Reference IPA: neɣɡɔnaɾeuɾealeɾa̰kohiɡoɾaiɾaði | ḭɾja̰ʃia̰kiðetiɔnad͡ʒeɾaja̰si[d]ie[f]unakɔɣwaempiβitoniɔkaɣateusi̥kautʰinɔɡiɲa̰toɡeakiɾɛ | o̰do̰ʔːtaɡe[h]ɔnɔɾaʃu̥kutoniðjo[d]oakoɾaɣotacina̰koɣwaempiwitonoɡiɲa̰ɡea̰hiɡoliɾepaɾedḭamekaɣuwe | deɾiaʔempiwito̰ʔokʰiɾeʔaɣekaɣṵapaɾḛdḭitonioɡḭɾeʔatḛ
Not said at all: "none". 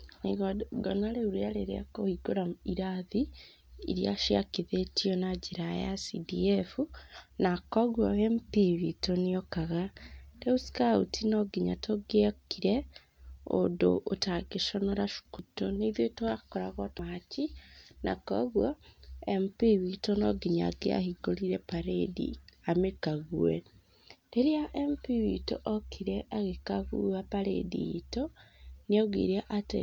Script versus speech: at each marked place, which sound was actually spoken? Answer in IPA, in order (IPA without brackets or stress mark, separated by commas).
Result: d, f, ʃ, t